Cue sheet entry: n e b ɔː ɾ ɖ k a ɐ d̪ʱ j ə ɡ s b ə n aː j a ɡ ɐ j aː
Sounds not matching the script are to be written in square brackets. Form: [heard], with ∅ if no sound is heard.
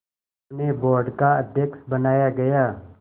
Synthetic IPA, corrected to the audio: n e b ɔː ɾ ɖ k a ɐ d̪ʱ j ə [k] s b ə n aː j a ɡ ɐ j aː